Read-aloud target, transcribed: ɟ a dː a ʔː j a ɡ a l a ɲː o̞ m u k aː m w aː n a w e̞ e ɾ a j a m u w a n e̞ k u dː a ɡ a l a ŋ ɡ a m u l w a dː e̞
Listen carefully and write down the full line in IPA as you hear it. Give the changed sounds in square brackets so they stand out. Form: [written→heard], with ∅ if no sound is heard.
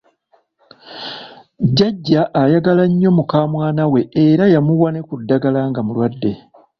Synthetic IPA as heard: ɟ a [dː→ɟː] a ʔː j a ɡ a l a ɲː o̞ m u k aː m w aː n a w e̞ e ɾ a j a m u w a n e̞ k u dː a ɡ a l a ŋ ɡ a m u l w a dː e̞